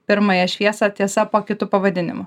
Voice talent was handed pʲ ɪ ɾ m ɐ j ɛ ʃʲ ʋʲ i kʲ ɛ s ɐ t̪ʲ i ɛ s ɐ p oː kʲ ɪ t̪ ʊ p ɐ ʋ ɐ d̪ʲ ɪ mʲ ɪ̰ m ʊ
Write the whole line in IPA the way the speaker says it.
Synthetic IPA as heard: pʲ ɪ ɾ m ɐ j ɛ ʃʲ ʋʲ i ɛ s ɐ t̪ʲ i ɛ s ɐ p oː kʲ ɪ t̪ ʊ p ɐ ʋ ɐ d̪ʲ ɪ nʲ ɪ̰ m ʊ